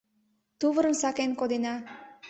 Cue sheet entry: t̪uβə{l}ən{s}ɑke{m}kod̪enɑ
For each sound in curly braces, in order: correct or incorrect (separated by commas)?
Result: incorrect, correct, incorrect